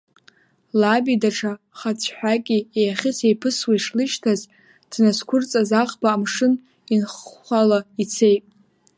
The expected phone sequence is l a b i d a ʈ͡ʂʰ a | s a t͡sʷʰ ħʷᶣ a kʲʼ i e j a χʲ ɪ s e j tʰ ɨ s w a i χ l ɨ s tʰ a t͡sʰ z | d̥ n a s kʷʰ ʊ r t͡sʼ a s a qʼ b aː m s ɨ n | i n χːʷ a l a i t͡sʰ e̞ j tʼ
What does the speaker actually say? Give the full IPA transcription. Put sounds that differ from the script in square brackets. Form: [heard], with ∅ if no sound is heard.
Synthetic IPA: l a b i d a ʈ͡ʂʰ a | [χ] a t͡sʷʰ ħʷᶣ a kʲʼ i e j a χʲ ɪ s e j [pʰ] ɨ s w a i [ʂ] l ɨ [ʃ] tʰ a [∅] z | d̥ n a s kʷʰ ʊ r t͡sʼ a [z] a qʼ b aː m [ʂ] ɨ n | i n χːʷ a l a i t͡sʰ e̞ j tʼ